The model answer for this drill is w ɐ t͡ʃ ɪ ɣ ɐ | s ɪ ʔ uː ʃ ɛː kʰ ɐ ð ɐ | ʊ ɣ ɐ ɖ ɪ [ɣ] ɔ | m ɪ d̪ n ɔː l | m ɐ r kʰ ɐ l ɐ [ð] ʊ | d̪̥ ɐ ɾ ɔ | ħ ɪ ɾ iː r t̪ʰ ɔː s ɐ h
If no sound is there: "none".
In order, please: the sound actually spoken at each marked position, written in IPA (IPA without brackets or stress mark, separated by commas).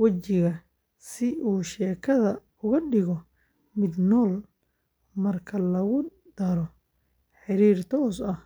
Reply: ɣ, ɣ